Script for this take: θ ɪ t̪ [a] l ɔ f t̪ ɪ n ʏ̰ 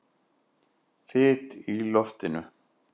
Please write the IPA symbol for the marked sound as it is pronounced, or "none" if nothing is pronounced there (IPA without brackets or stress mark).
i